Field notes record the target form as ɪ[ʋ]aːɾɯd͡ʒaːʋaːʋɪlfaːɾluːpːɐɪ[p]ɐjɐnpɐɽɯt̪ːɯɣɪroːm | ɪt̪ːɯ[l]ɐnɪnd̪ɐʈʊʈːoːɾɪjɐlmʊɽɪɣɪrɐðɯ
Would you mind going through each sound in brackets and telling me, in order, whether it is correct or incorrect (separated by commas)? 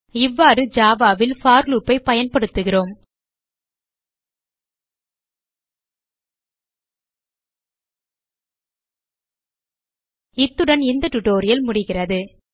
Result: incorrect, correct, incorrect